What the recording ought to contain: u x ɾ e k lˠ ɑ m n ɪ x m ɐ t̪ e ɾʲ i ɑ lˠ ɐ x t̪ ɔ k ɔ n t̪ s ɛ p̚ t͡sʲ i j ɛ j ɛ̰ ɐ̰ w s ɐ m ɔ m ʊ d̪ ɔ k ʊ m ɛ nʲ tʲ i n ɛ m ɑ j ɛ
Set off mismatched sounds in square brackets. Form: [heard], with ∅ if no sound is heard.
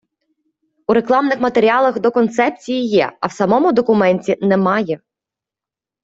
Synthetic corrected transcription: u [∅] ɾ e k lˠ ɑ m n ɪ x m ɐ t̪ e ɾʲ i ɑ lˠ ɐ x [d̪] ɔ k ɔ n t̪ s ɛ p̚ t͡sʲ i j [i] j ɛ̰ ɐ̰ w s ɐ m ɔ m ʊ d̪ ɔ k ʊ m ɛ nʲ tʲ i n ɛ m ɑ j ɛ